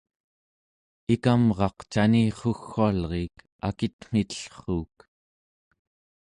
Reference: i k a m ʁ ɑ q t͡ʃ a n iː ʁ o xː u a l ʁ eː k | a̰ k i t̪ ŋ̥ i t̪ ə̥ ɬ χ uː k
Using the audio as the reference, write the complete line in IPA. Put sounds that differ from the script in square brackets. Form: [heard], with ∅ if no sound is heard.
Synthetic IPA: i k a m ʁ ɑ q t͡ʃ a n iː [χ] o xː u a l ʁ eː k | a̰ k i t̪ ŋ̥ i t̪ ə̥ ɬ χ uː k